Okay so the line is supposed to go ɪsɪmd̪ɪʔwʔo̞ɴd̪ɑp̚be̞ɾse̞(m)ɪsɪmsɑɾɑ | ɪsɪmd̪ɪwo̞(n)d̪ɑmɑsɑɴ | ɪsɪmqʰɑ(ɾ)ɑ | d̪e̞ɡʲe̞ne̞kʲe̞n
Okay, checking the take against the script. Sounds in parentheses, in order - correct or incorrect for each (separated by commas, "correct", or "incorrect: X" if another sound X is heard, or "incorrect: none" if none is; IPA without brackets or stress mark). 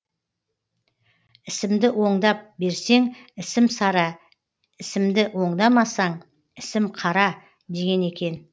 incorrect: ŋ, incorrect: ɴ, correct